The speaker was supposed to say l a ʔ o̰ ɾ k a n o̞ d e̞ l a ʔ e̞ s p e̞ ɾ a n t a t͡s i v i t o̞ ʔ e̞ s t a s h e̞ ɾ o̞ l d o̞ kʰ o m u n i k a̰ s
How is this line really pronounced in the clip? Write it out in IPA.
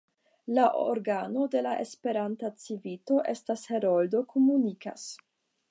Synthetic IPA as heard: l a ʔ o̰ ɾ ɡ a n o̞ d e̞ l a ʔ e̞ s p e̞ ɾ a n t a t͡s i v i t o̞ ʔ e̞ s t a s h e̞ ɾ o̞ l d o̞ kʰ o m u n i k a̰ s